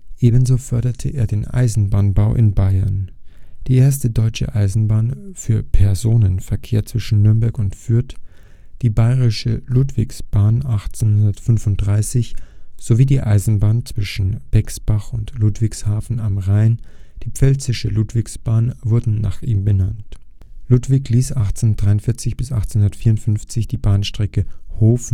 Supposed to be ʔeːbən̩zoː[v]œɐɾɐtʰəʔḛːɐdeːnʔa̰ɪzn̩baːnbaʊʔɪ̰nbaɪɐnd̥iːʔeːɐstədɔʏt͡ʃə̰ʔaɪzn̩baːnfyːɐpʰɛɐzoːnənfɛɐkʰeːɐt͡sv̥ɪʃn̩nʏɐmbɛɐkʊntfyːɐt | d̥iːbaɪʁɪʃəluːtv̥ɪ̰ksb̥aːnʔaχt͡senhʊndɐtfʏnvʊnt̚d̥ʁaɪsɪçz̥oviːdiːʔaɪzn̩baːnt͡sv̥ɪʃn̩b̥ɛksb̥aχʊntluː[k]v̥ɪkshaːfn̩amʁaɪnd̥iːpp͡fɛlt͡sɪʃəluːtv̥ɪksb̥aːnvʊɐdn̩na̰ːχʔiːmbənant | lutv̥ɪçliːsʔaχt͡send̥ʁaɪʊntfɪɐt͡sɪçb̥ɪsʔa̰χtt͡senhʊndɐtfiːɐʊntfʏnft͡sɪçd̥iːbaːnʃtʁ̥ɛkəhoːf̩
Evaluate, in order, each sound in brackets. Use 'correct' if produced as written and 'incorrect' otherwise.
incorrect: f, incorrect: t

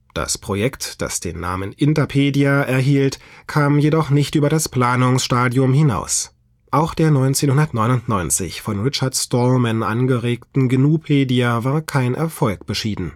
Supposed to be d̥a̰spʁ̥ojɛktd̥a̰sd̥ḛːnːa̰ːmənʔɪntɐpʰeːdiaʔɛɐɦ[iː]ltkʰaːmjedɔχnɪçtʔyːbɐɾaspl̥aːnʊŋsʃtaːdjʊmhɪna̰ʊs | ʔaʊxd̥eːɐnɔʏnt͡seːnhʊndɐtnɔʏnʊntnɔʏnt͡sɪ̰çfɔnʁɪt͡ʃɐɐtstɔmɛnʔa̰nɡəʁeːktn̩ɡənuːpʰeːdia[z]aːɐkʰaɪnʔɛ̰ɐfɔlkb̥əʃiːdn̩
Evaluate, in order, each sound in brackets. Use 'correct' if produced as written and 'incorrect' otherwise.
correct, incorrect: v

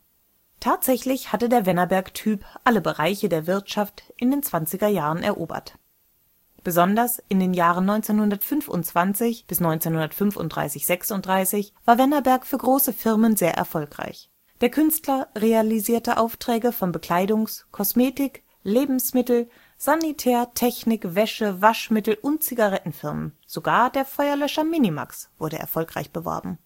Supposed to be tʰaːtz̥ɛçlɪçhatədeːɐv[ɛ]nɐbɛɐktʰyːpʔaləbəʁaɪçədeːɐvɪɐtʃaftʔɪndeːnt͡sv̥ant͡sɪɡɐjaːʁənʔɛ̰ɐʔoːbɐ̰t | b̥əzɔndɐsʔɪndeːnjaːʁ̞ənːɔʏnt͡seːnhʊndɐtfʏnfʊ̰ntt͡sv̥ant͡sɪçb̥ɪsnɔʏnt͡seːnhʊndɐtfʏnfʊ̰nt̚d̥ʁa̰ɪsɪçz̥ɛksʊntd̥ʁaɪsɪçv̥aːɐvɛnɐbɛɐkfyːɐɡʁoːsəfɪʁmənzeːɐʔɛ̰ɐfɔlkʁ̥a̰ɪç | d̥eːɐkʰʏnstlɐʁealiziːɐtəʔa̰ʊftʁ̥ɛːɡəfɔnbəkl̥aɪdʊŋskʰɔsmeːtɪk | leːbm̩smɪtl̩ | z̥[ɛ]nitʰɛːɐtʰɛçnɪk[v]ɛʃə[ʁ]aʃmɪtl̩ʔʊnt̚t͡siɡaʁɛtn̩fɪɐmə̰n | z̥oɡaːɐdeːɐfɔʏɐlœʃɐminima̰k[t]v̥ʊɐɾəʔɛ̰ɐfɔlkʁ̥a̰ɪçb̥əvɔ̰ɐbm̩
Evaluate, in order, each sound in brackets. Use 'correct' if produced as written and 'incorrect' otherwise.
correct, incorrect: a, correct, incorrect: v, incorrect: s

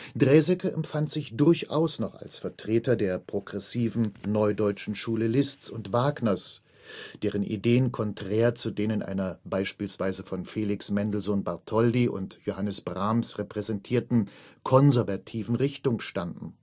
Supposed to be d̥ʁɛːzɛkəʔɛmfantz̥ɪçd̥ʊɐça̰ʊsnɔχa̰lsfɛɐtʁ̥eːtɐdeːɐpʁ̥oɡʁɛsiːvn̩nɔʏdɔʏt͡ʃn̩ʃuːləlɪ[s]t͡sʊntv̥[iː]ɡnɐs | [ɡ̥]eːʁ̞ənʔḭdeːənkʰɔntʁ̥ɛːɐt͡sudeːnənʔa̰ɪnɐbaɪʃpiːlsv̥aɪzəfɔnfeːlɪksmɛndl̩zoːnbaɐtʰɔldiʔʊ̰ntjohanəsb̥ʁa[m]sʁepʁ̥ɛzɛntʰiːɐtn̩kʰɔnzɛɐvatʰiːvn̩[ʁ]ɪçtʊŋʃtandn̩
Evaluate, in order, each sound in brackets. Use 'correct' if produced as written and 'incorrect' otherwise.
correct, incorrect: aː, incorrect: d̥, correct, correct

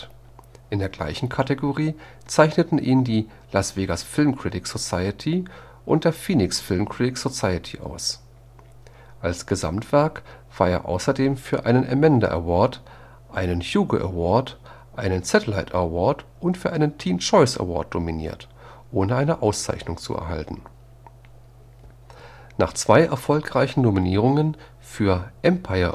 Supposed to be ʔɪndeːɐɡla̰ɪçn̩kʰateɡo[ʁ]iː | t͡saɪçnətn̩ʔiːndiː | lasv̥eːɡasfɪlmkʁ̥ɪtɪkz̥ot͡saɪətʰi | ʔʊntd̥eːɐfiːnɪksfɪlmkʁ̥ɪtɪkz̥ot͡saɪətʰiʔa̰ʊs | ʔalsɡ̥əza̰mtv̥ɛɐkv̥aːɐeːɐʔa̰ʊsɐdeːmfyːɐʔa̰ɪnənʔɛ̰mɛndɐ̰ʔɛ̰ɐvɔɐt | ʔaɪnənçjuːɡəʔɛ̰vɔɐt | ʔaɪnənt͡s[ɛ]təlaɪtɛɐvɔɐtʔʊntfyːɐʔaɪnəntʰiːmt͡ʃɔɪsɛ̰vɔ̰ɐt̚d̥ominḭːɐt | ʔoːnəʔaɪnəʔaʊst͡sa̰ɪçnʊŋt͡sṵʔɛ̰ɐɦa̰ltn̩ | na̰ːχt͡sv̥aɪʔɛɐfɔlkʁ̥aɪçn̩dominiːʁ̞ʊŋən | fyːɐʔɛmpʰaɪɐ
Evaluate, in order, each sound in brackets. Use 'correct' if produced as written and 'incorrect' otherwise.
correct, correct

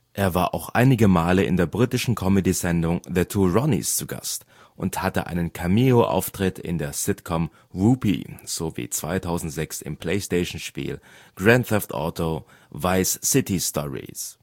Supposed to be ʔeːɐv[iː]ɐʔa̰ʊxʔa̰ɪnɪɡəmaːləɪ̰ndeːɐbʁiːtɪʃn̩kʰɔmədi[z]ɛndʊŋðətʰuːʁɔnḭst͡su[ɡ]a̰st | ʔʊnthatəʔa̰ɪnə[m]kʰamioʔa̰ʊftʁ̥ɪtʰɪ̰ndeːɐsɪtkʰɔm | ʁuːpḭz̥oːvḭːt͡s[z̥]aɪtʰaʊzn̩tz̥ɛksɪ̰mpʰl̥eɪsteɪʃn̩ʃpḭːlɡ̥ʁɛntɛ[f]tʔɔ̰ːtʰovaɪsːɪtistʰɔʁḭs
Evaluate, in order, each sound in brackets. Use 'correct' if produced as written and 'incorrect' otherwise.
incorrect: aː, correct, correct, incorrect: n, incorrect: v̥, correct

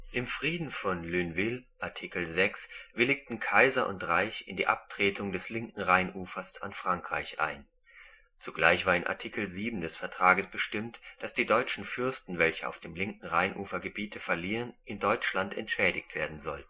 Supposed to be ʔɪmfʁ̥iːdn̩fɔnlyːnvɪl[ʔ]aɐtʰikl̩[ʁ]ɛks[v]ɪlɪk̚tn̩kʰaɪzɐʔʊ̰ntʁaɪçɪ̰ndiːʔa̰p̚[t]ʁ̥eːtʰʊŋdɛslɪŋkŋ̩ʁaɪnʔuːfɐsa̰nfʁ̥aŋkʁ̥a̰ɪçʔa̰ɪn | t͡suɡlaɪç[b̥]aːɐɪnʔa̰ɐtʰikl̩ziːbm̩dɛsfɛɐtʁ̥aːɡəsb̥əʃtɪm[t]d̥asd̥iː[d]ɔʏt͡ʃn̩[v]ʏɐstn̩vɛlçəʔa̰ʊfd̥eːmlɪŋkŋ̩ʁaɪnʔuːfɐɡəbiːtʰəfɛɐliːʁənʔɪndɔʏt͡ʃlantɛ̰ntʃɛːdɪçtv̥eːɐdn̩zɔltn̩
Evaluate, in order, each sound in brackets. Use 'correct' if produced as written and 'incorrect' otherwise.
correct, incorrect: z, correct, correct, incorrect: v̥, correct, correct, incorrect: f

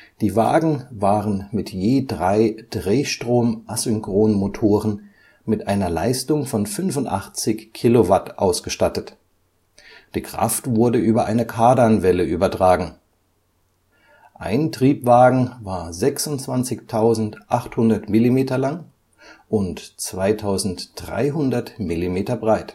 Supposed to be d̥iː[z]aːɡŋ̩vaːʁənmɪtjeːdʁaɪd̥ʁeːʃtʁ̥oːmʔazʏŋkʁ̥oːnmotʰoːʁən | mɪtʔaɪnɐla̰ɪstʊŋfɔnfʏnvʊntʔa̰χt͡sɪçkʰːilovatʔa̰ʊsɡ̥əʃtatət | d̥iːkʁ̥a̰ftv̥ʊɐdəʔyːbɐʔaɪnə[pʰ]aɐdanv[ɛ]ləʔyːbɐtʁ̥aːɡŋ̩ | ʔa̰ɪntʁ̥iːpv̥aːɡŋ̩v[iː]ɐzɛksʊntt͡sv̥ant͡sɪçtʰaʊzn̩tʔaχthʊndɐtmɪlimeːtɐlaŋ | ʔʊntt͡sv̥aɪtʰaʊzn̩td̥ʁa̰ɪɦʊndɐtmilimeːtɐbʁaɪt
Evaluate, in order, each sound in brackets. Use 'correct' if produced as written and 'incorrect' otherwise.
incorrect: v, incorrect: kʰ, correct, incorrect: aː

